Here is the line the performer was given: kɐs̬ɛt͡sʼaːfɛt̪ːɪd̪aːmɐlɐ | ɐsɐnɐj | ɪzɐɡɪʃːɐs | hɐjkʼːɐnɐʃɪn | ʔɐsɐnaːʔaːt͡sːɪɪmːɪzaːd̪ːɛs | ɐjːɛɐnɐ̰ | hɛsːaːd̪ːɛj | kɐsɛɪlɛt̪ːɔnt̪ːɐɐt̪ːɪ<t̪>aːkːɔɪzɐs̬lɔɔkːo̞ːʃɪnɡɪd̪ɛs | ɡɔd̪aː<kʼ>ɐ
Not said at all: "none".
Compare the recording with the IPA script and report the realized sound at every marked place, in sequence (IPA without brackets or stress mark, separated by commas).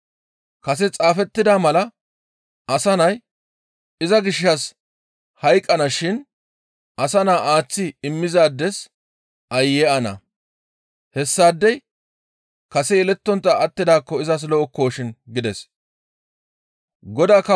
d̪, k